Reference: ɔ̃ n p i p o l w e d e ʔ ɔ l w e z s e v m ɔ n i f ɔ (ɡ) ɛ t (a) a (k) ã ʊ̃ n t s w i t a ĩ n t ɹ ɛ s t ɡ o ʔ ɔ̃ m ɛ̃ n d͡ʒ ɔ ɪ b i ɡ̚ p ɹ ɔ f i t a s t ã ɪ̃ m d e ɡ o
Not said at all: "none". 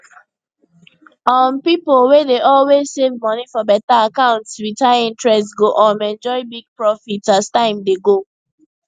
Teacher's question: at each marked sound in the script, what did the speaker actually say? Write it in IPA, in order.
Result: b, a, k

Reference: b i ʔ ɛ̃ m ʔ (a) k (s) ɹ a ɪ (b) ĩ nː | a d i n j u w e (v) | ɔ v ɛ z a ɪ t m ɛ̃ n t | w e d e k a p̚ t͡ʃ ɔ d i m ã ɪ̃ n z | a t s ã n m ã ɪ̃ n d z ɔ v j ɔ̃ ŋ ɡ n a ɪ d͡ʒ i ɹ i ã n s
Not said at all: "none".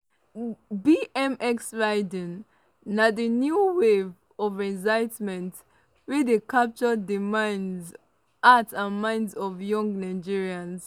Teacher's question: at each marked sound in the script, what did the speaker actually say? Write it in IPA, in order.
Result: ɛ, s, d, v

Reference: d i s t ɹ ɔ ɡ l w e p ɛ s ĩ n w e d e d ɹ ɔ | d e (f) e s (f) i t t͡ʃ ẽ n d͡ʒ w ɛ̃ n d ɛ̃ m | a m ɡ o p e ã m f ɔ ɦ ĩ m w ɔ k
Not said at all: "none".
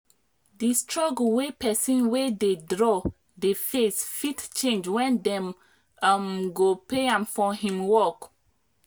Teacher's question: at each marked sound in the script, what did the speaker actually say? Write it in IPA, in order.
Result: f, f

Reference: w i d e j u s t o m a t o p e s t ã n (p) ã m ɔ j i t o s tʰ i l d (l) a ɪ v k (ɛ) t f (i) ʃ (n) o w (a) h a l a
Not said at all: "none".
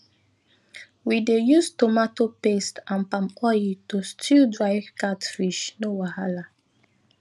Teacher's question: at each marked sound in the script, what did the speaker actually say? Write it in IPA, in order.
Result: p, ɹ, a, i, n, a

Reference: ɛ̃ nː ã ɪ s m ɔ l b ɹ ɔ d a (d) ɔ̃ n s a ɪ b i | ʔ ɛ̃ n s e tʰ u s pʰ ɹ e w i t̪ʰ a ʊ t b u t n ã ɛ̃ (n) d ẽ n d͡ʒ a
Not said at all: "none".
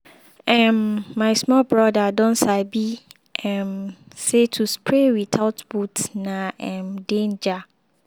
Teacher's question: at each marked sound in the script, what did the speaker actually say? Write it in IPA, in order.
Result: d, m

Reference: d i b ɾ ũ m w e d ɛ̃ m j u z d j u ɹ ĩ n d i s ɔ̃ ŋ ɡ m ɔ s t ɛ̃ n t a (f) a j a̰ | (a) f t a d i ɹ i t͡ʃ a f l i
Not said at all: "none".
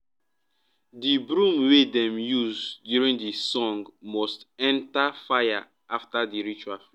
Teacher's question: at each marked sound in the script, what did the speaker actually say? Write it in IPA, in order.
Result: f, a

